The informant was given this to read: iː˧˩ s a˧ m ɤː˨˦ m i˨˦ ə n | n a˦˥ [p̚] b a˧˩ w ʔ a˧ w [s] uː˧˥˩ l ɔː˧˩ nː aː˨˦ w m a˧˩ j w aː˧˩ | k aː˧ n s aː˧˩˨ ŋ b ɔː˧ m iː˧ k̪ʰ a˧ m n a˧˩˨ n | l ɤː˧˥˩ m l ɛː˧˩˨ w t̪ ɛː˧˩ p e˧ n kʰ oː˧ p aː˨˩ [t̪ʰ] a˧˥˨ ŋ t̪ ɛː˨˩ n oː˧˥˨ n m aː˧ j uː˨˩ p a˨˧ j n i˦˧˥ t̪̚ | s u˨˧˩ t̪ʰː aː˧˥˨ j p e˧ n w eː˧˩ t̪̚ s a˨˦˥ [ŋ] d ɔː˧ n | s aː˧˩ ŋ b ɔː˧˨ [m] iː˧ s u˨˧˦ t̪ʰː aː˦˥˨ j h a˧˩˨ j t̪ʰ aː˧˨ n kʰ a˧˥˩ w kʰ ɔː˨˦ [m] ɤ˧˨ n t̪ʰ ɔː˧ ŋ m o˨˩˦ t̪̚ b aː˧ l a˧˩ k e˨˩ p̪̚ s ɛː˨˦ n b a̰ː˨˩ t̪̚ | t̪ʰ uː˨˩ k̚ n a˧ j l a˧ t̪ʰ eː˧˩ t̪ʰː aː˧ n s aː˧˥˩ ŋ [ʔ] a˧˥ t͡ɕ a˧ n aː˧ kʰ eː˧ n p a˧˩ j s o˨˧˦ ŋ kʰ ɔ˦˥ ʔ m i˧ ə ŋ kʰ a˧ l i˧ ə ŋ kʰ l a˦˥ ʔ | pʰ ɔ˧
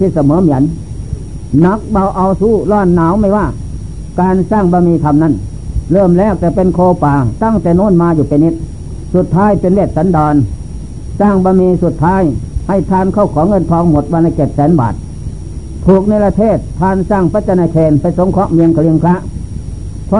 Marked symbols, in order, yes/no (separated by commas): no, yes, no, no, yes, no, no